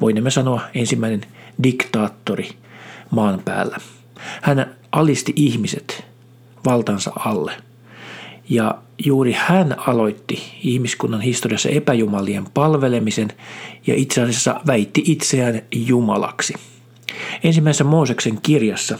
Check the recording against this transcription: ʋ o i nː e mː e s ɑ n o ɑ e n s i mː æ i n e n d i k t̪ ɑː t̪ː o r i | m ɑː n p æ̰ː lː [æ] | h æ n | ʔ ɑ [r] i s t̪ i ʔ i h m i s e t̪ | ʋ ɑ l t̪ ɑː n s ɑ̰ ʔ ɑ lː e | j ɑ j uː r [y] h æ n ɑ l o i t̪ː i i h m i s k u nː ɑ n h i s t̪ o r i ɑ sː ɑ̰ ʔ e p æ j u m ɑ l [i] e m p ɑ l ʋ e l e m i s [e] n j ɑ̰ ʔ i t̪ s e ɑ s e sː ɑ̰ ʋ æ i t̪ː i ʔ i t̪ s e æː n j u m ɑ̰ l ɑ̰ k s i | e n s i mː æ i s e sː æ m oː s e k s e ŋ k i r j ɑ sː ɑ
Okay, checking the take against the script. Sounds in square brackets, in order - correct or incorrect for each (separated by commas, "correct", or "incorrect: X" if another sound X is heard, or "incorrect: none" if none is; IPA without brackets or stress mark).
correct, incorrect: l, incorrect: i, correct, correct